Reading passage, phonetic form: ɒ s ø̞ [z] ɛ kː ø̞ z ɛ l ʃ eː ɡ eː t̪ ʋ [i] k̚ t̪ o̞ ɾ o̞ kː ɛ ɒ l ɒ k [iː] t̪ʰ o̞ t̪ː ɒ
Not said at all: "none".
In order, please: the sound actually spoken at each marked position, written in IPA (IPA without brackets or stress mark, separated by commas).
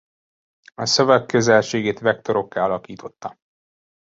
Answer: v, ɛ, iː